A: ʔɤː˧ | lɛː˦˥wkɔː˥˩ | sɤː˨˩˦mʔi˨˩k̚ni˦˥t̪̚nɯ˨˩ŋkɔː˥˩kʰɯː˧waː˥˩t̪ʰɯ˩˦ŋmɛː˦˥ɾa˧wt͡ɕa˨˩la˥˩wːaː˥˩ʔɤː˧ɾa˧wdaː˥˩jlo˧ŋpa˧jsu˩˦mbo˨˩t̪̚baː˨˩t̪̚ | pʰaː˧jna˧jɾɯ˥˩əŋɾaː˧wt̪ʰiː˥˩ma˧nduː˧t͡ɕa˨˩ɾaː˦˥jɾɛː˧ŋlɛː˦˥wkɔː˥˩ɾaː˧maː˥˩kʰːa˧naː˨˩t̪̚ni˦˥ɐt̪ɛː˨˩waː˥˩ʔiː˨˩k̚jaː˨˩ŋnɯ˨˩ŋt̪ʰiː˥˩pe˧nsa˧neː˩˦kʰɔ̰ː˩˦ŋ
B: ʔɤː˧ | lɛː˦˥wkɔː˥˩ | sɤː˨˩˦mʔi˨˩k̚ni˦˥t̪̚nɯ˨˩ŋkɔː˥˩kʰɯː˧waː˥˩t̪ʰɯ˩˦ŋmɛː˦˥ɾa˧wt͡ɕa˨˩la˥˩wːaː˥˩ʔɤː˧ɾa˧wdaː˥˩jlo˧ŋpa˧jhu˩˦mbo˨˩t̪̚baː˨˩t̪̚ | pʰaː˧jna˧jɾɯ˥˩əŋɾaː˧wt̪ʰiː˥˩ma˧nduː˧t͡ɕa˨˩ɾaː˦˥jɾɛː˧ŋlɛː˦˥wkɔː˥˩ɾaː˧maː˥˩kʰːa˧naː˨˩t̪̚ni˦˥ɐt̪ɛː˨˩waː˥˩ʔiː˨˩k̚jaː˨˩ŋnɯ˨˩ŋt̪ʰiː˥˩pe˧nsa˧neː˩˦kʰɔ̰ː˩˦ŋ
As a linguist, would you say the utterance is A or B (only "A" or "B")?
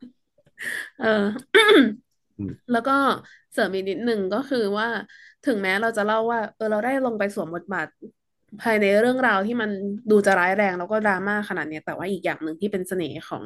A